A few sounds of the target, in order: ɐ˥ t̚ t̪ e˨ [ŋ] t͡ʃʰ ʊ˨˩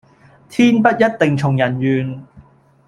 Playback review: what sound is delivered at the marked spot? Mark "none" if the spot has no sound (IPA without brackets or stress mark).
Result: ŋ